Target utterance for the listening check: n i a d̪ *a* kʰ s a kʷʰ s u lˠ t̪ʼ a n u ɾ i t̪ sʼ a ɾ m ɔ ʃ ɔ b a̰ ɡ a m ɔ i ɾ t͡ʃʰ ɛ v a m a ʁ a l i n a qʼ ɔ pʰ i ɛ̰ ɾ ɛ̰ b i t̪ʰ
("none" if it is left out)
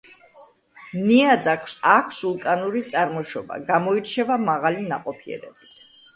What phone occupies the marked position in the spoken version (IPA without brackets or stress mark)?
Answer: a